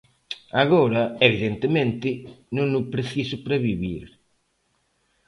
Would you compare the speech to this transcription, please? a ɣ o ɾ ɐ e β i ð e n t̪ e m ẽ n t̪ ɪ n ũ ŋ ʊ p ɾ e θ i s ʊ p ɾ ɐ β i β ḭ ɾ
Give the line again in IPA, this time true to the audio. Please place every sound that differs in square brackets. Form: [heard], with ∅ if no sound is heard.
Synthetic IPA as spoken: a ɣ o ɾ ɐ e β i ð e n t̪ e m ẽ n t̪ ɪ n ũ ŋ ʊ p ɾ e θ i s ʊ p ɾ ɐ β i β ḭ ɾ